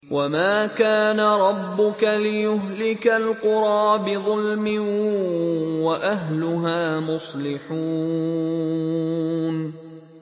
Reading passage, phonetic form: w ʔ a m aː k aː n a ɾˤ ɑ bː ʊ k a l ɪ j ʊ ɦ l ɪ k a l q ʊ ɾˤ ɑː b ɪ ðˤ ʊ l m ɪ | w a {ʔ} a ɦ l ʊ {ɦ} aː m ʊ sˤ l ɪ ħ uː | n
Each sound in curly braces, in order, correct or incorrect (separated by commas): correct, correct